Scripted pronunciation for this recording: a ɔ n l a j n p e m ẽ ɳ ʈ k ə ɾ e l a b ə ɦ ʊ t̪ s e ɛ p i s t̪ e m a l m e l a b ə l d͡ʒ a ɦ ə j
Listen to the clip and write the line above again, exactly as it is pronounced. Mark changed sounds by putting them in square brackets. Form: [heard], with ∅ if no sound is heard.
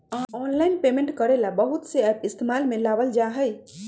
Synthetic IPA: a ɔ n l a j n p e m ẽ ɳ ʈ k ə ɾ e l a b ə ɦ [u] t̪ s e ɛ p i s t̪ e m a l m e l a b ə l d͡ʒ a ɦ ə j